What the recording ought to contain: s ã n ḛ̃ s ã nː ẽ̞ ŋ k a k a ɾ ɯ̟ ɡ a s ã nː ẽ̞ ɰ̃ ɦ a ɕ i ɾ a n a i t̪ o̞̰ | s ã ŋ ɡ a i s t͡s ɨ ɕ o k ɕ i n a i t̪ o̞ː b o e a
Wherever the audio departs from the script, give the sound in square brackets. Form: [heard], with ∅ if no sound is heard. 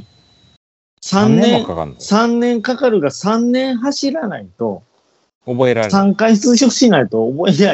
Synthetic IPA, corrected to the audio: s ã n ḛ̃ s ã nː ẽ̞ ŋ k a k a ɾ ɯ̟ ɡ a s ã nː ẽ̞ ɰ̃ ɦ a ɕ i ɾ a n a i t̪ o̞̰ | s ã ŋ [k] a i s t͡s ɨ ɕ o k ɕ i n a i t̪ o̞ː b o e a